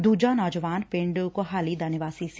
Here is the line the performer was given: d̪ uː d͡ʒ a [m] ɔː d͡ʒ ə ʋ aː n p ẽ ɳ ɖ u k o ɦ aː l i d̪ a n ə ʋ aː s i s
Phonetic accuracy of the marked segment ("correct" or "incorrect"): incorrect